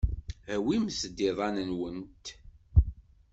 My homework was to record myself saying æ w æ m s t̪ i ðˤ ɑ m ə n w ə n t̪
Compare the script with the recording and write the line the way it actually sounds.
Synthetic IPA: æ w i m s d̪ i ðˤ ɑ n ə n w ə n t̪